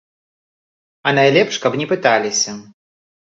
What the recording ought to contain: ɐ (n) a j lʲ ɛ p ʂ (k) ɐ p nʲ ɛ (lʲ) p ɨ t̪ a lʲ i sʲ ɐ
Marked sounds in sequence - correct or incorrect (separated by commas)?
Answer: correct, correct, incorrect